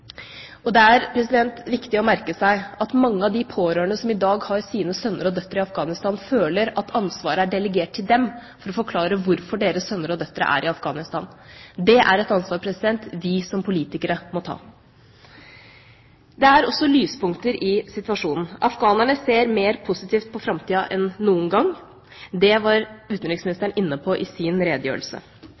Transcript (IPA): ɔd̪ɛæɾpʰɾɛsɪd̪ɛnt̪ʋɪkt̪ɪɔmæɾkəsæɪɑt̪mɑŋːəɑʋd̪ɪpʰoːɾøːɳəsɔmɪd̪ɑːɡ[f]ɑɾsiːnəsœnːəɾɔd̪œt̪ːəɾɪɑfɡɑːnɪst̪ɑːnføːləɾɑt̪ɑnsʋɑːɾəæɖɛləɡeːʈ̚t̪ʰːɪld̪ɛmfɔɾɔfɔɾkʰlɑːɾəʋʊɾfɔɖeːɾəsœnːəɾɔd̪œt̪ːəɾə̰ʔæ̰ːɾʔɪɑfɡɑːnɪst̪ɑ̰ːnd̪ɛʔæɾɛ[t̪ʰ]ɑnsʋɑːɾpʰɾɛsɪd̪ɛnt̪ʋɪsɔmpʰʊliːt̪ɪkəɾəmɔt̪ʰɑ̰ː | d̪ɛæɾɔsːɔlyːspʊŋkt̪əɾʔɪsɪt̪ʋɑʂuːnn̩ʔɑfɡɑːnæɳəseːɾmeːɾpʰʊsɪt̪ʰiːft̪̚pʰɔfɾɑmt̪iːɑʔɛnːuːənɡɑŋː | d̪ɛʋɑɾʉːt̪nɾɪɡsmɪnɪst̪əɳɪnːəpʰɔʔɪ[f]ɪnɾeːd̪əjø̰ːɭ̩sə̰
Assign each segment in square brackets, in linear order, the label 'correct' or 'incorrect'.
incorrect: h, incorrect: t̪, incorrect: s

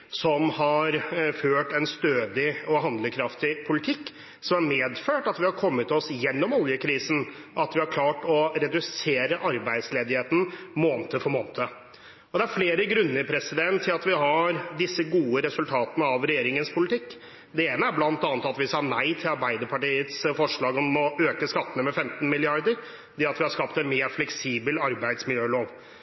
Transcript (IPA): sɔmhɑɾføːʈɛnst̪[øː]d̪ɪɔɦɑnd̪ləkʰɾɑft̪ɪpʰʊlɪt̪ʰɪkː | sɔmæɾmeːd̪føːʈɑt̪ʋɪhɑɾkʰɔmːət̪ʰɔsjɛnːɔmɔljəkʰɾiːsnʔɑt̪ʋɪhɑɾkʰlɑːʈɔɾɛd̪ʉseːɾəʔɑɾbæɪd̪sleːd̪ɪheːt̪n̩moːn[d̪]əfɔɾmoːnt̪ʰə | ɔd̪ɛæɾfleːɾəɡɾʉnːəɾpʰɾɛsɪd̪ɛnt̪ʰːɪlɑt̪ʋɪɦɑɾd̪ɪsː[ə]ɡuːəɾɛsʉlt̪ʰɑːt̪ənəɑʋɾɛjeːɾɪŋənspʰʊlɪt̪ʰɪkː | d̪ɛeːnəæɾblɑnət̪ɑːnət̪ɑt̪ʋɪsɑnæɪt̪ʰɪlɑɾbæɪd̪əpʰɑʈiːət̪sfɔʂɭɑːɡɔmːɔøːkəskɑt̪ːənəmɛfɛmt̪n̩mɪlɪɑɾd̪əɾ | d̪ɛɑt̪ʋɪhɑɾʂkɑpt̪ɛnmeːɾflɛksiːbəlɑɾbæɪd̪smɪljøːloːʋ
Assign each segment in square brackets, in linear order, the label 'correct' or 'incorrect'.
correct, incorrect: t̪, correct

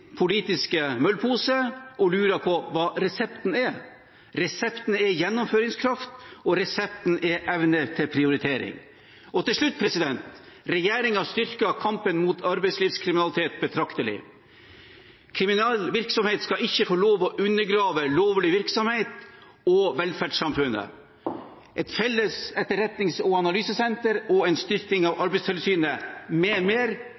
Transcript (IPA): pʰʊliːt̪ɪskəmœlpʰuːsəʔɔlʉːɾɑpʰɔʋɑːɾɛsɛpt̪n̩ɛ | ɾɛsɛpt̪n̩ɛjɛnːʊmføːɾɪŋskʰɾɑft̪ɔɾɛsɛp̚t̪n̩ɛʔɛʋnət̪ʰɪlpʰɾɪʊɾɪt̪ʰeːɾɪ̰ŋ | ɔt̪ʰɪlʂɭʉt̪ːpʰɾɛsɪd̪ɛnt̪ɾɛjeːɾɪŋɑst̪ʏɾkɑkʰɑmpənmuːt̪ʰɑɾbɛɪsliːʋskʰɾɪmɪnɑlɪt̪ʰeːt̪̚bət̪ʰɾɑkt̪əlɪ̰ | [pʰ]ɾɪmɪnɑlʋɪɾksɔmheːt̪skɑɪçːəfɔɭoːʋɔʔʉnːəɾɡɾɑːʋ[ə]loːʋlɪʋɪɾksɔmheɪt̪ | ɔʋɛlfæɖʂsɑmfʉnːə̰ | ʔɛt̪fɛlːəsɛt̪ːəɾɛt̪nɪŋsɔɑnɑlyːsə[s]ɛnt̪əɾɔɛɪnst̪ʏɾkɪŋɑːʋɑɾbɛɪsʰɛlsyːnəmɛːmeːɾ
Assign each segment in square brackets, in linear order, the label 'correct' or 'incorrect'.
incorrect: kʰ, correct, correct

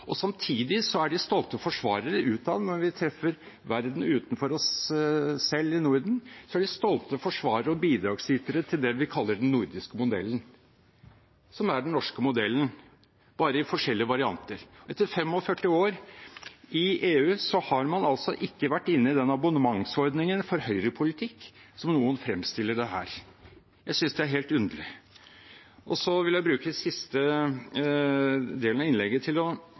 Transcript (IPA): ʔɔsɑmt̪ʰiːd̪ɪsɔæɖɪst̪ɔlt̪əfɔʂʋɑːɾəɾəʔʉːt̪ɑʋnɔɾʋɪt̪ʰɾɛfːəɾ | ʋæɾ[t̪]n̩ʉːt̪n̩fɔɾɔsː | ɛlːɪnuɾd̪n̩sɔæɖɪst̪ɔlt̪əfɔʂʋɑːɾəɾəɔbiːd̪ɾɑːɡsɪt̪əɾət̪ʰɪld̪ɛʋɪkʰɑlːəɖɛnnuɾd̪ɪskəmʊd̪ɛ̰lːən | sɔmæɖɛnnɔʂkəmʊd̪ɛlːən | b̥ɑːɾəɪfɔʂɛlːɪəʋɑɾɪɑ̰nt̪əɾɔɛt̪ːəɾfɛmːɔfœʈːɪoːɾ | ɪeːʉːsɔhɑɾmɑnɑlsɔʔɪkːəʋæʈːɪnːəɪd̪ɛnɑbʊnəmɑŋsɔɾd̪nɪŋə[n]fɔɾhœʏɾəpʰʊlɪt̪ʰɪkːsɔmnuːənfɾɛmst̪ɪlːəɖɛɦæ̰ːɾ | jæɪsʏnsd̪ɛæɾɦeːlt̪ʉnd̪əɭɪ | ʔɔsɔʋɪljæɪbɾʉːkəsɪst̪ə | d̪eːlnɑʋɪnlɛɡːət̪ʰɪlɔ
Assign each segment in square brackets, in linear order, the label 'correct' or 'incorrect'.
incorrect: d̪, correct

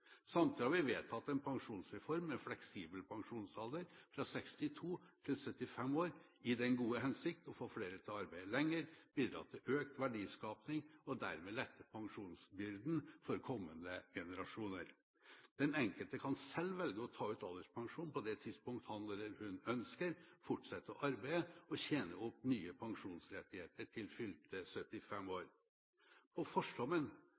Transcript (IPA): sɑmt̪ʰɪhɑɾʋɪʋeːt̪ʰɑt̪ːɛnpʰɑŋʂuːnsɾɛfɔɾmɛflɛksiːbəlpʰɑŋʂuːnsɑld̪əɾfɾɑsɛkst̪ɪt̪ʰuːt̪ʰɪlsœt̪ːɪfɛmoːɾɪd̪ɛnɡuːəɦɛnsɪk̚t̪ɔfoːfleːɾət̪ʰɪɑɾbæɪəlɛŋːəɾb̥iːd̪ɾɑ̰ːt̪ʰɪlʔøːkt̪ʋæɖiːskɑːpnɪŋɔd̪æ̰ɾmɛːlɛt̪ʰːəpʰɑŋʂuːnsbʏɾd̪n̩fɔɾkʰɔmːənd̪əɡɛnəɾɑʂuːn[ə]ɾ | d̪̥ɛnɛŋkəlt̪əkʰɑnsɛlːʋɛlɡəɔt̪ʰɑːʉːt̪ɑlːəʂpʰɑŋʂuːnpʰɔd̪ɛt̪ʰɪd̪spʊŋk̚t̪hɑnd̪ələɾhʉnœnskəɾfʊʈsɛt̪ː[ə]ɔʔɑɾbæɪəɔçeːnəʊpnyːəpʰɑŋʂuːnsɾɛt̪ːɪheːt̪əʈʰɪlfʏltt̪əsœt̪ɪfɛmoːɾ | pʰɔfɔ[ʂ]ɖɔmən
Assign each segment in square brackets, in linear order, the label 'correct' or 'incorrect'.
correct, correct, correct

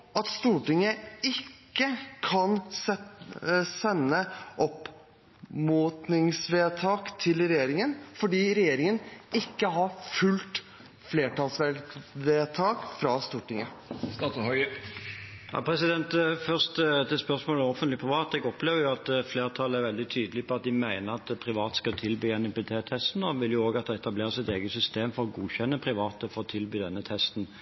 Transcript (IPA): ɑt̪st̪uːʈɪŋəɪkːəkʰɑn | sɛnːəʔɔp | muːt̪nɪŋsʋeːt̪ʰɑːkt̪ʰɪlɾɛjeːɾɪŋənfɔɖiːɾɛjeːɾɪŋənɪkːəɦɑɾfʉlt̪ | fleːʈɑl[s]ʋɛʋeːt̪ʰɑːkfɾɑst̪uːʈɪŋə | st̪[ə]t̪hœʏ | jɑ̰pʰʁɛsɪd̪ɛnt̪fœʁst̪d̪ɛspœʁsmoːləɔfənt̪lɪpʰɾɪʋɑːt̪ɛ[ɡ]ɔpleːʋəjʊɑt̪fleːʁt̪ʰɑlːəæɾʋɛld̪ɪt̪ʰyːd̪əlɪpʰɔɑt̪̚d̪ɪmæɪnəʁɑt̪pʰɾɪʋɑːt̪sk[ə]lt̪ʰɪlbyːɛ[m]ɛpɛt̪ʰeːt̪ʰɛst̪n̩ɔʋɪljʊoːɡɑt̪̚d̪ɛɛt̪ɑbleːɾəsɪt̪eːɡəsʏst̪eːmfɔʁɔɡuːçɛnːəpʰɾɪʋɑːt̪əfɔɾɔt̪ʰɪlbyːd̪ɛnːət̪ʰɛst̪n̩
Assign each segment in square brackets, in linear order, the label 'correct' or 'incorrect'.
correct, incorrect: ɑ, correct, incorrect: ɑ, incorrect: n

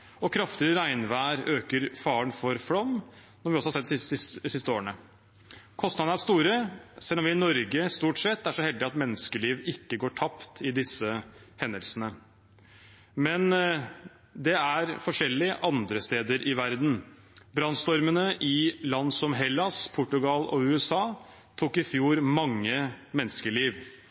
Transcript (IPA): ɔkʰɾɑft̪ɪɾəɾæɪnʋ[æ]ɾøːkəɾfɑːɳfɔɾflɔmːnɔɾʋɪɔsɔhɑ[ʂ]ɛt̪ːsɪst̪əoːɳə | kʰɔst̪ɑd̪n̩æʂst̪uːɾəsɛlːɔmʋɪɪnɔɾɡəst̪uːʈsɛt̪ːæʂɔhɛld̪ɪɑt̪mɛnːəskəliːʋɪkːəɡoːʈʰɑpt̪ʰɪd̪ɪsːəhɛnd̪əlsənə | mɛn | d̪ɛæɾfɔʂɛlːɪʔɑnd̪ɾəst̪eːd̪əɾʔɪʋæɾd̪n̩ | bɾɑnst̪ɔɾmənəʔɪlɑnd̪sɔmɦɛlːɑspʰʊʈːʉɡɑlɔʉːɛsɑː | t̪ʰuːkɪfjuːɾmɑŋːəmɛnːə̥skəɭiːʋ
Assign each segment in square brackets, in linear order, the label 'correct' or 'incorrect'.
incorrect: æː, incorrect: s

